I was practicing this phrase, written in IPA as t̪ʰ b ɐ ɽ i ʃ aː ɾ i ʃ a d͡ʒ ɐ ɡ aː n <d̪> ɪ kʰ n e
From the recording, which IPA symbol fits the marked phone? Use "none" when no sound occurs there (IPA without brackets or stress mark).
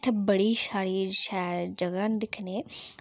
d̪